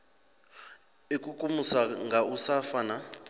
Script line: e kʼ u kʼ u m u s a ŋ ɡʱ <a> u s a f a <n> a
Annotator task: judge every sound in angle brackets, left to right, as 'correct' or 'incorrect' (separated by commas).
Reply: correct, correct